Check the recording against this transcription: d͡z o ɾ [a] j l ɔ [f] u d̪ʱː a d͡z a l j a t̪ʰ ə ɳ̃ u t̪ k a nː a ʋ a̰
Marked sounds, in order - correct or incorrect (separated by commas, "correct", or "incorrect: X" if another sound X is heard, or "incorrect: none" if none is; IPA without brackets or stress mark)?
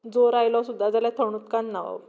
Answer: correct, incorrect: s